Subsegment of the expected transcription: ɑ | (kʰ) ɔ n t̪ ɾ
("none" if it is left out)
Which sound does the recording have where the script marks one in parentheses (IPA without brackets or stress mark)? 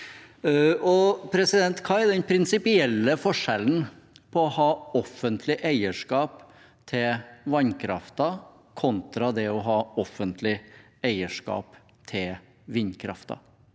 kʰ